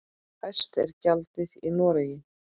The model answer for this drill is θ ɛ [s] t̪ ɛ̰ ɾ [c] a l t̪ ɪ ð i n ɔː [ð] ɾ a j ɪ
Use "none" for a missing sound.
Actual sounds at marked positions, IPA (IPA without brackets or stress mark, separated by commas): s, c, none